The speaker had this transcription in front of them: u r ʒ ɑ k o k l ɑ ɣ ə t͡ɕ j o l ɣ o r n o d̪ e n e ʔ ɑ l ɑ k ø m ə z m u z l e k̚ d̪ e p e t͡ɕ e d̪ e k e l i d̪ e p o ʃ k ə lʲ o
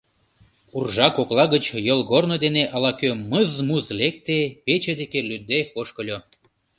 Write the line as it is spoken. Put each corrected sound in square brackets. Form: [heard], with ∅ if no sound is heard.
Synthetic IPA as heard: u r ʒ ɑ k o k l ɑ ɣ ə t͡ɕ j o l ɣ o r n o d̪ e n e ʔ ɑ l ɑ k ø m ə z m u z l e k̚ [t̪] e p e t͡ɕ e d̪ e k e l [y] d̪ e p o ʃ k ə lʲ o